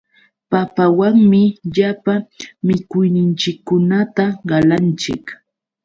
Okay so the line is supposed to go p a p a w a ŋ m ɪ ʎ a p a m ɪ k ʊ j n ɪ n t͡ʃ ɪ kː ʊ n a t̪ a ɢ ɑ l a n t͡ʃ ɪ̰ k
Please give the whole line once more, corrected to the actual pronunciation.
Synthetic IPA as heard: p a p a w a ŋ m ɪ ʎ a p a m ɪ k ʊ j n ɪ n t͡ʃ ɪ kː ʊ n a t̪ a ɢ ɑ l a n t͡ʃ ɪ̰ k